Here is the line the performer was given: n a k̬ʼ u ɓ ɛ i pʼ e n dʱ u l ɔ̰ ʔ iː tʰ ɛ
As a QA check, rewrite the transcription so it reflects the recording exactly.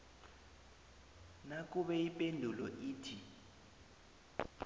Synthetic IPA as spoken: n a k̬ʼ u ɓ ɛ i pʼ e n dʱ u l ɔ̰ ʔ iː tʰ i